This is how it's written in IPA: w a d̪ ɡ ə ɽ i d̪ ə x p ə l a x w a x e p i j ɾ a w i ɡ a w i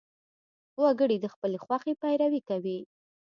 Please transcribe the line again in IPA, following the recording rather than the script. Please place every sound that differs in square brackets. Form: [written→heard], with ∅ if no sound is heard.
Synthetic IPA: w a [d̪→∅] ɡ ə ɽ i d̪ ə x p ə l [a→e] x w a x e p [i→a] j ɾ a w i [ɡ→k] a w i